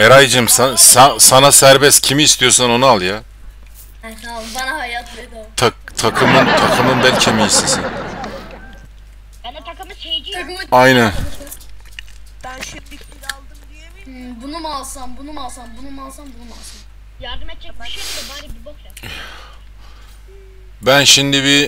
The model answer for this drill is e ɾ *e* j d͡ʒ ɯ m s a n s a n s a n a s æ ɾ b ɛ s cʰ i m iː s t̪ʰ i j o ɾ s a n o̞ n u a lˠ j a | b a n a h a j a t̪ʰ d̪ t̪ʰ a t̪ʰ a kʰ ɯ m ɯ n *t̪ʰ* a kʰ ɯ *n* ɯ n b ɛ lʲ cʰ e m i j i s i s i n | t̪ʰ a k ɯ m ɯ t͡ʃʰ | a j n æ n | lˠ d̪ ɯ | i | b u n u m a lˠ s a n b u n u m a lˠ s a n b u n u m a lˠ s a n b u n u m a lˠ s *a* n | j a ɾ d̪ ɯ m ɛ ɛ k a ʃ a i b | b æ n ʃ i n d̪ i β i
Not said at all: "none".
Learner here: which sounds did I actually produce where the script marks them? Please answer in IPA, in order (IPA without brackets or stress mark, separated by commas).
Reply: a, t̪ʰ, m, a